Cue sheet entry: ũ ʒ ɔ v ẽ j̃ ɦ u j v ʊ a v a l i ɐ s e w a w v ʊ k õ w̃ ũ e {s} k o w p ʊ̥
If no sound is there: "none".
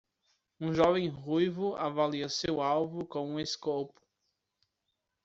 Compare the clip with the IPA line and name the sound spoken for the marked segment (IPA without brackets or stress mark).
s